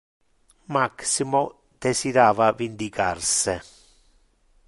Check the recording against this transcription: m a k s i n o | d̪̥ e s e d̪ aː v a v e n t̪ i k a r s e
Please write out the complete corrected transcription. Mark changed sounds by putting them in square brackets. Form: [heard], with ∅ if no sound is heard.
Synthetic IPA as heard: m a k s i [m] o | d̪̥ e s [i] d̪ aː v a v [i] n [d̪] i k a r s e